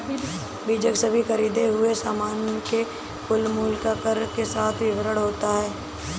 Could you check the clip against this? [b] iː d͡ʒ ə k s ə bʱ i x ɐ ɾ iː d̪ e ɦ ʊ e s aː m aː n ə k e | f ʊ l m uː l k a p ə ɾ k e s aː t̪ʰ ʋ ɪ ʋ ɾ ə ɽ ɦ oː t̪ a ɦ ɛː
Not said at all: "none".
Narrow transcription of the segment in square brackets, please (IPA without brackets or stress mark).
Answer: b